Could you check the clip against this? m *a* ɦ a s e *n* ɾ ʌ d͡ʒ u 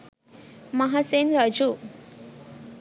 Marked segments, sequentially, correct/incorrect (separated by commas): incorrect, correct